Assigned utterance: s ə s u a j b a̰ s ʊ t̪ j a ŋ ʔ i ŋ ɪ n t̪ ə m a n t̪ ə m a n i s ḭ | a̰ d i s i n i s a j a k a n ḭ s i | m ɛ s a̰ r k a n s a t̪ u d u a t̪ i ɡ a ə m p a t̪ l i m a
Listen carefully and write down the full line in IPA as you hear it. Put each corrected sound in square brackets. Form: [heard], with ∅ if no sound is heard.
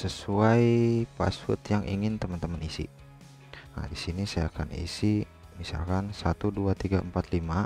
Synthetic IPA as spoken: s ə s u a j [p] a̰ s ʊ t̪ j a ŋ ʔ i ŋ ɪ n t̪ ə m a n t̪ ə m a n i s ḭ | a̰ d i s i n i s a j a k a n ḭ s i | m [i] s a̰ [l] k a n s a t̪ u d u a t̪ i ɡ a ə m p a t̪ l i m a